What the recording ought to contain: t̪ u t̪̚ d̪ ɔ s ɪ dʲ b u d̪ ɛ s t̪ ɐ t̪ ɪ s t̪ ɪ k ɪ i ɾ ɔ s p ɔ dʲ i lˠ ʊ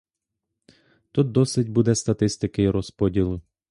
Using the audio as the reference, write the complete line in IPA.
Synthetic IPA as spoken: t̪ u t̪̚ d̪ ɔ s ɪ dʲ b u d̪ ɛ s t̪ ɐ t̪ ɪ s t̪ ɪ k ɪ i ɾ ɔ s p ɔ dʲ i lˠ ʊ